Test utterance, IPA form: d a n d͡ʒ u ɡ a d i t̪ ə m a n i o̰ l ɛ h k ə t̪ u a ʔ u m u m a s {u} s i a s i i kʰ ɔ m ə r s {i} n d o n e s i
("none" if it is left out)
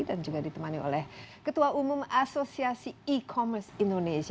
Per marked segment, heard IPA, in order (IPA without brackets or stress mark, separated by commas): o, i